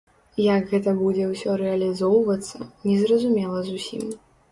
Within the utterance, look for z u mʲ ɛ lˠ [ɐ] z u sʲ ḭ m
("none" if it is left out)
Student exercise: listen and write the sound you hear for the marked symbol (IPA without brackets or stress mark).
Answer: ɐ